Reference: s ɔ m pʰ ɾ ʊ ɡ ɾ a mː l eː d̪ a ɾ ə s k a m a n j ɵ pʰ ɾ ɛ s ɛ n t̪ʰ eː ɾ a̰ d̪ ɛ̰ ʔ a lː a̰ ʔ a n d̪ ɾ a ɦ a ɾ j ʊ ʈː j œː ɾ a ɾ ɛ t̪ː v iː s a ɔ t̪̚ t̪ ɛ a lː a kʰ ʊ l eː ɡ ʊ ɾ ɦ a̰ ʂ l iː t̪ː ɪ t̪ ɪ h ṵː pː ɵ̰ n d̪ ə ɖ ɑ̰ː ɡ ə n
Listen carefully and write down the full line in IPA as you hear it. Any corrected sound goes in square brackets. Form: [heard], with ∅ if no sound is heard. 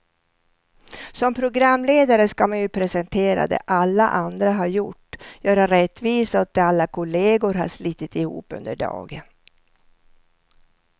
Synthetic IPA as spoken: s ɔ m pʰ ɾ ʊ ɡ ɾ a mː l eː d̪ a ɾ ə s k a m a n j ɵ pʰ ɾ ɛ s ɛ n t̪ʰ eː ɾ a̰ d̪ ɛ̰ ʔ a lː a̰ ʔ a n d̪ ɾ a ɦ a ɾ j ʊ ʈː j œː ɾ a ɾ ɛ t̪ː v iː s a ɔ t̪̚ [d̪] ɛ a lː a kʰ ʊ l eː ɡ ʊ ɾ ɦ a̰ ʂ l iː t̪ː ɪ t̪ ɪ h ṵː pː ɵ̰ n d̪ ə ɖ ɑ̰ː ɡ ə n